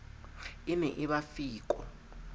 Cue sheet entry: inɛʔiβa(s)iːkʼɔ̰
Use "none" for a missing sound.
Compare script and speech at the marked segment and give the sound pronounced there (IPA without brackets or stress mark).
f